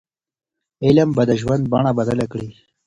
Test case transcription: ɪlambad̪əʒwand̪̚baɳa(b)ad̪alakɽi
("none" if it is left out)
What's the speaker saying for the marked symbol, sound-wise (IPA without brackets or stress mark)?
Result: b